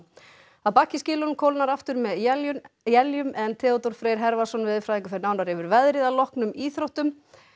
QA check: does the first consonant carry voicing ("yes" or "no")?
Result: yes